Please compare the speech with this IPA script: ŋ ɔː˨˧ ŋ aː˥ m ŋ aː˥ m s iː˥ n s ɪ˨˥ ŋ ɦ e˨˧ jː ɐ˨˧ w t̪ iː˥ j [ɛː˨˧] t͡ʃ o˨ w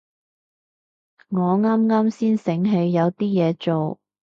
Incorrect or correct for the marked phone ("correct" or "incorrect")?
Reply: correct